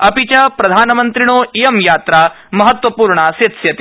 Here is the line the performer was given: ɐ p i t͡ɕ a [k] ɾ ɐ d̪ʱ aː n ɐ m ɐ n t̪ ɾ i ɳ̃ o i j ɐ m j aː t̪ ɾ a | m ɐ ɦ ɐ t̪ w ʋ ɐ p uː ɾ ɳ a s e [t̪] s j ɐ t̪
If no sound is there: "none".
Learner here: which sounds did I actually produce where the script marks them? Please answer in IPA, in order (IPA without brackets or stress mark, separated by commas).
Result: p, t̪